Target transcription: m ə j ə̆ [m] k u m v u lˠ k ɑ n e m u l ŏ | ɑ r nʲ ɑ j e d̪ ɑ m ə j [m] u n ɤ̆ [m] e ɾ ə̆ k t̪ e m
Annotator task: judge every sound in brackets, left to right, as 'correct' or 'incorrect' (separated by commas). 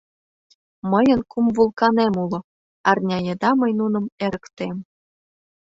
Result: incorrect, incorrect, correct